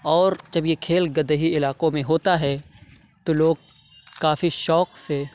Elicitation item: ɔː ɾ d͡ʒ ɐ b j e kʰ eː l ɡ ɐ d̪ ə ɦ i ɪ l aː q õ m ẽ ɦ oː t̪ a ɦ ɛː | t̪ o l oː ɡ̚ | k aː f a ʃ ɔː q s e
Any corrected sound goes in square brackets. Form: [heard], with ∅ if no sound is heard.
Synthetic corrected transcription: ɔː ɾ d͡ʒ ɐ b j e kʰ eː l ɡ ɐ d̪ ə ɦ i ɪ l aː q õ m ẽ ɦ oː t̪ a ɦ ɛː | t̪ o l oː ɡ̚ | k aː f [i] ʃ ɔː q s e